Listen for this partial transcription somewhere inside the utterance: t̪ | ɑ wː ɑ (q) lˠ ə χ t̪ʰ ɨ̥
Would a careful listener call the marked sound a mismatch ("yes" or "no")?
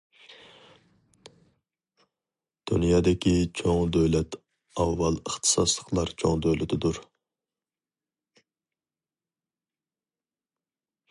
yes